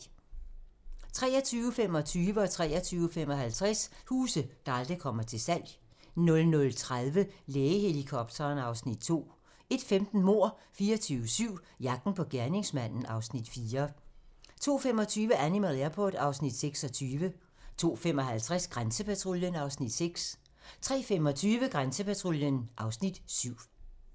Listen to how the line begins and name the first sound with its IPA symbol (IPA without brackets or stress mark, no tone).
t͡sʰ